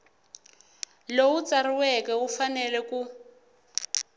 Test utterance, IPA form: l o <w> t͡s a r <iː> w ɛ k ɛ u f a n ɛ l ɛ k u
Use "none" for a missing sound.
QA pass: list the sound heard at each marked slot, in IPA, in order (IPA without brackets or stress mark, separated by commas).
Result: u, i